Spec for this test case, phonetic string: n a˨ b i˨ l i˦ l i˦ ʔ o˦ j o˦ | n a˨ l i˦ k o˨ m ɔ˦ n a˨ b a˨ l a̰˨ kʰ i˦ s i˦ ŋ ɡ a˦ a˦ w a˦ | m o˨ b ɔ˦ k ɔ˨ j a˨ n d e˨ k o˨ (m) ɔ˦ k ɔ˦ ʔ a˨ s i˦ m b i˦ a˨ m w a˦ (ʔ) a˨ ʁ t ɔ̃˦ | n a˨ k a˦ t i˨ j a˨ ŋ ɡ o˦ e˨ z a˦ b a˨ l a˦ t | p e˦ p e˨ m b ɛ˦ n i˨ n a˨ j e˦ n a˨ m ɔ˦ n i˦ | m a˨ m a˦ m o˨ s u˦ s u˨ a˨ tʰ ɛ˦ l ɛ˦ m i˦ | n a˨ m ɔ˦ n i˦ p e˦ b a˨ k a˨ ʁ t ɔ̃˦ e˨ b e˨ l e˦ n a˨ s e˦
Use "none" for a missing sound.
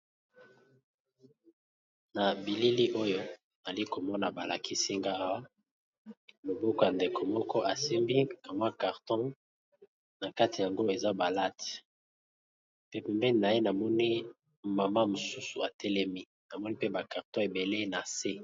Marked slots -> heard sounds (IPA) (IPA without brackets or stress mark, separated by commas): m, k